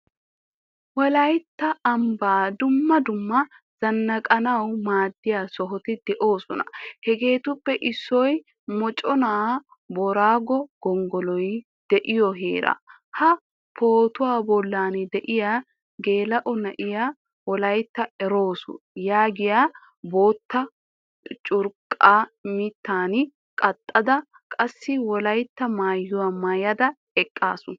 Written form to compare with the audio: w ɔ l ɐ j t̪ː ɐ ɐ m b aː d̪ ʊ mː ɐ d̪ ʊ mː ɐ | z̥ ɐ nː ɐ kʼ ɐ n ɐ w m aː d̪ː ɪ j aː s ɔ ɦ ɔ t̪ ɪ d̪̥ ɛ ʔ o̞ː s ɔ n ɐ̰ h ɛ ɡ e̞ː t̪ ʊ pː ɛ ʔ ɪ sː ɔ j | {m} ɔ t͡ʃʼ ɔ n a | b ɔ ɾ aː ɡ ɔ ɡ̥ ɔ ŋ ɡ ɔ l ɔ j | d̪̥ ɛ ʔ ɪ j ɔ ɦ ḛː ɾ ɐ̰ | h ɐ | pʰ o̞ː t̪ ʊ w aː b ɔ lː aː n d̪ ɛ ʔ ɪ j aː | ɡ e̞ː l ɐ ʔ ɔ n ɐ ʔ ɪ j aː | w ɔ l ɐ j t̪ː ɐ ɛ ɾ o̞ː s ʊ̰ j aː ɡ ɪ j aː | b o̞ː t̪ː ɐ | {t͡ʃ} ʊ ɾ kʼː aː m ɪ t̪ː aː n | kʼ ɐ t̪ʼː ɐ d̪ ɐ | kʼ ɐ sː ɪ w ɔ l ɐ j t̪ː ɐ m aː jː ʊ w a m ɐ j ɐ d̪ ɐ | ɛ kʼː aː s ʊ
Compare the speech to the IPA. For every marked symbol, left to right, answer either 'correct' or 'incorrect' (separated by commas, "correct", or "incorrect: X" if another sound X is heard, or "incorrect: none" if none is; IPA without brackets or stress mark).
correct, incorrect: t͡ʃʼ